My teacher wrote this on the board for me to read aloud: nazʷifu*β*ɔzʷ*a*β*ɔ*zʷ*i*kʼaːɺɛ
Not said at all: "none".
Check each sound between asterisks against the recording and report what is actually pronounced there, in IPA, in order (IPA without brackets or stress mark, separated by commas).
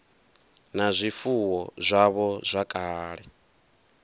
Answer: w, a, ɔ, a